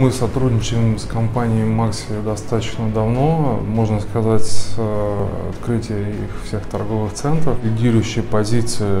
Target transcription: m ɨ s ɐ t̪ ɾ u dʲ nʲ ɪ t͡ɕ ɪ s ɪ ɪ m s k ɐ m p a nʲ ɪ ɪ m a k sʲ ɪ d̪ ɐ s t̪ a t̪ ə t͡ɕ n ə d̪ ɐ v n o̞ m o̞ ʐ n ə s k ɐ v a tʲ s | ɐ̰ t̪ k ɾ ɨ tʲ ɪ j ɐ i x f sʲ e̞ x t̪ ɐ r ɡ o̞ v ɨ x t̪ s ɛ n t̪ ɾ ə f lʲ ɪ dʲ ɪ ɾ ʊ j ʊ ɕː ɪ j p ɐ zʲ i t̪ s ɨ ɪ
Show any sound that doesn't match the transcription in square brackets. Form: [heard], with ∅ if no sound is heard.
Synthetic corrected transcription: m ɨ s ɐ t̪ ɾ u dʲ nʲ ɪ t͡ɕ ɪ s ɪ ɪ m s k ɐ m p a nʲ ɪ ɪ m a k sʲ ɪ d̪ ɐ s t̪ a t̪ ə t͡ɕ n ə d̪ ɐ v n o̞ m o̞ ʐ n ə s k ɐ [z] a tʲ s | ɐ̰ t̪ k ɾ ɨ tʲ ɪ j [ə] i x f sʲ e̞ x t̪ ɐ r ɡ o̞ v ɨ x t̪ s ɛ n t̪ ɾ ə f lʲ ɪ dʲ [i] ɾ ʊ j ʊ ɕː ɪ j p ɐ zʲ i t̪ s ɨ ɪ